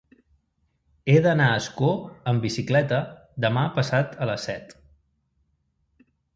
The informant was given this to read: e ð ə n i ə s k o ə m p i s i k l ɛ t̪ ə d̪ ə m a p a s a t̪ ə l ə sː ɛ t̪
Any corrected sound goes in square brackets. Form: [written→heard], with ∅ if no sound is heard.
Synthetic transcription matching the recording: e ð ə n [i→a] ə s k o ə m [p→b] i s i k l ɛ t̪ ə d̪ ə m a p [a→ə] s a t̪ ə l ə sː ɛ t̪